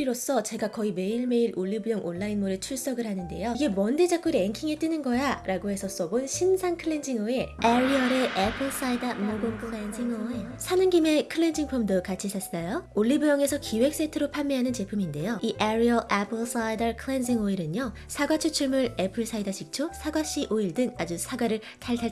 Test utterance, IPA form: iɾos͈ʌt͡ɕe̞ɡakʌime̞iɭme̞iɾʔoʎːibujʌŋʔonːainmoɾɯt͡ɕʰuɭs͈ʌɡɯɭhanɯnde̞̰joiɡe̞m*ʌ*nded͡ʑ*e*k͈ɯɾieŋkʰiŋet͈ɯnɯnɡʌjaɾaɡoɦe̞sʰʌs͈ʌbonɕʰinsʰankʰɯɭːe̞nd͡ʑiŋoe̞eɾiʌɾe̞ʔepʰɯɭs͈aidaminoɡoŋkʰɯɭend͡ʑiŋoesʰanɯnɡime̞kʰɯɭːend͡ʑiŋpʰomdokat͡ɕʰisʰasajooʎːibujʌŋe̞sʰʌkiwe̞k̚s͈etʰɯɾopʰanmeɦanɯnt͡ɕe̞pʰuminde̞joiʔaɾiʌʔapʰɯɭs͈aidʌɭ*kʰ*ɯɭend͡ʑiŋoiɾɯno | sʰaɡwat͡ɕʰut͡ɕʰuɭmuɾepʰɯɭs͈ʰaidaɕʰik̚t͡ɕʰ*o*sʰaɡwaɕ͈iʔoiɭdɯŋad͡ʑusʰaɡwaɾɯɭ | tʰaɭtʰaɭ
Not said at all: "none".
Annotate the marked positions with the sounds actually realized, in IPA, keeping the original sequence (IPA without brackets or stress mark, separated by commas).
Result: ʌ, a, kʰ, o